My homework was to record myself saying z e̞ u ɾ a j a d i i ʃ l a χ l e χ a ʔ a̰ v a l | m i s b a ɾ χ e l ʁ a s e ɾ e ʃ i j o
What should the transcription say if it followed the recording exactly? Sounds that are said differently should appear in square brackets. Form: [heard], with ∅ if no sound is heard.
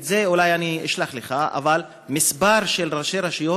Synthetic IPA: z e̞ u [l] a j a [n] i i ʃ l a χ l e χ a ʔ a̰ v a l | m i s b a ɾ [ʃ] e l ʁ a [ʃ] e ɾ [a] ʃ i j o